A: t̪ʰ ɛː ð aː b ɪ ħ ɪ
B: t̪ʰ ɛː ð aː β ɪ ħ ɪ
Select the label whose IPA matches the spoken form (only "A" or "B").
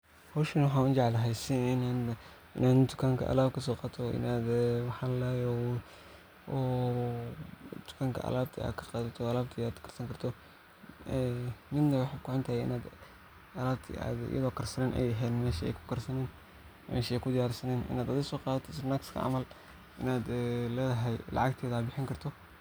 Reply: A